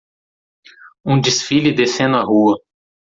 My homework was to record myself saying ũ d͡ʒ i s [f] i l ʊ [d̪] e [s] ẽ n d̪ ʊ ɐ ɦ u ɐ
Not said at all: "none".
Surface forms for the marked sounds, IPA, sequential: f, d̪, s

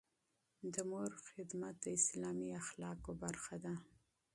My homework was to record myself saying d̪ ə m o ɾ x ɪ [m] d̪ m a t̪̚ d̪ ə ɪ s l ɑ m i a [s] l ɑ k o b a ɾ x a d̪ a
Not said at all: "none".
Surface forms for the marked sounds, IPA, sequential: none, x

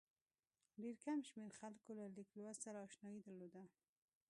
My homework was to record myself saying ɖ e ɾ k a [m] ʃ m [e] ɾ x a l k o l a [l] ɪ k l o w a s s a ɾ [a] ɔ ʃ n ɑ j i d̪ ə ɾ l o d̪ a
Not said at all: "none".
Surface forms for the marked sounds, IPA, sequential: m, e, l, a

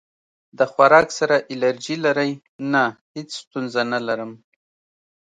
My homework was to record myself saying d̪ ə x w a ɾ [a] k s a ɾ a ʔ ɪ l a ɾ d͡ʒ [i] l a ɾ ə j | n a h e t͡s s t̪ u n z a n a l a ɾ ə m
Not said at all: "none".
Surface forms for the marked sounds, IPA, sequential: ɑ, i

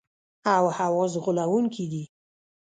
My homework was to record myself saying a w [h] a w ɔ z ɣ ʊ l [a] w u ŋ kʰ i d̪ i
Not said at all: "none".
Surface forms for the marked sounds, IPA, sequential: h, a

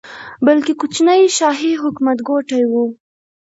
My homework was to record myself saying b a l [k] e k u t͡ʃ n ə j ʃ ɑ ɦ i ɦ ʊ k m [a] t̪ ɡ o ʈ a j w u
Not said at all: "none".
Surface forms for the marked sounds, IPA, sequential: k, a

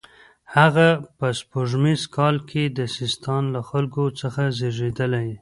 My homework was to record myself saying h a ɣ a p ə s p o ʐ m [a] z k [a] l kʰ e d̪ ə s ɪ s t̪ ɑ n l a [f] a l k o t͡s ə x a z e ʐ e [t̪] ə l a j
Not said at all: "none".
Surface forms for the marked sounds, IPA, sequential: i, ɑ, x, d̪

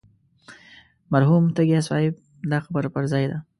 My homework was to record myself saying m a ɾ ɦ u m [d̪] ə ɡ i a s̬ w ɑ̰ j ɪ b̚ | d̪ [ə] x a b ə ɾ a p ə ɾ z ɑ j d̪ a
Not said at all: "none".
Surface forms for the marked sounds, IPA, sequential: t̪, ɑ

